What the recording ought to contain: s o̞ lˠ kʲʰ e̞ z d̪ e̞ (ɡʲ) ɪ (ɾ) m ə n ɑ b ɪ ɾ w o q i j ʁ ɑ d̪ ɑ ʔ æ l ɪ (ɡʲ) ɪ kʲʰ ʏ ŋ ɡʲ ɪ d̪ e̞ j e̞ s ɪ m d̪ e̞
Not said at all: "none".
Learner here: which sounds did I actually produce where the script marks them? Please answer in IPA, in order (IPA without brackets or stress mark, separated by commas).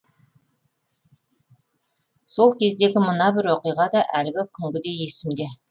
ɡʲ, none, ɡʲ